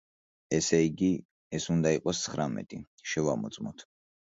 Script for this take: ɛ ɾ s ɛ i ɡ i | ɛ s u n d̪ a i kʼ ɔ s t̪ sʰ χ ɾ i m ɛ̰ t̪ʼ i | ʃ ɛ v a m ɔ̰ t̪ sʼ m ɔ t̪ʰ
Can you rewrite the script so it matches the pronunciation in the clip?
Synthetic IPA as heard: ɛ s ɛ i ɡ i | ɛ s u n d̪ a i qʼ ɔ s t̪ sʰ χ ɾ a m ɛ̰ t̪ʼ i | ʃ ɛ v a m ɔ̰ t̪ sʼ m ɔ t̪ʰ